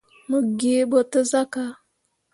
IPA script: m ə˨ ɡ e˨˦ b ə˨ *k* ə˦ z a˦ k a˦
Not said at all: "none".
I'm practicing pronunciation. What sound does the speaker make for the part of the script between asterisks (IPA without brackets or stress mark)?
t